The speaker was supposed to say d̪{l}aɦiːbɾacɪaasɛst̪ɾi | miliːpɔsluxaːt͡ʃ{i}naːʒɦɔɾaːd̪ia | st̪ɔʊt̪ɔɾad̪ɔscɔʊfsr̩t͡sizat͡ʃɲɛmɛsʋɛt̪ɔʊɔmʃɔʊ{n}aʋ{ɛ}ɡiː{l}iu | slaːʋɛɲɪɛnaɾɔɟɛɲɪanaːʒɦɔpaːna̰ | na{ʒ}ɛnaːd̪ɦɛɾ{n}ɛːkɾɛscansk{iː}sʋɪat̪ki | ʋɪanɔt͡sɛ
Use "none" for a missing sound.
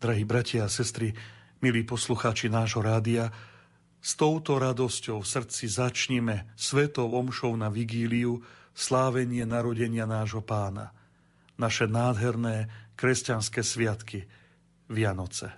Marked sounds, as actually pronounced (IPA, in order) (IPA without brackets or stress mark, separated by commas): ɾ, i, n, i, l, ʃ, n, ɛː